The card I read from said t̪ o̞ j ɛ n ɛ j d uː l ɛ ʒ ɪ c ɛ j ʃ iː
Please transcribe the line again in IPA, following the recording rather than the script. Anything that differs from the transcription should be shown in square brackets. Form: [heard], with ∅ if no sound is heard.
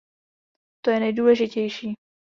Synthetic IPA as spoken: t̪ o̞ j ɛ n ɛ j d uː l ɛ ʒ ɪ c ɛ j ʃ iː